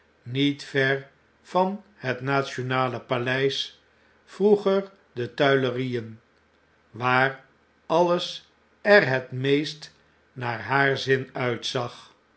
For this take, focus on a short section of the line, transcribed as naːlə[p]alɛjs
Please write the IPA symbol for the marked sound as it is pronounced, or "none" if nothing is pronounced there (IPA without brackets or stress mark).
p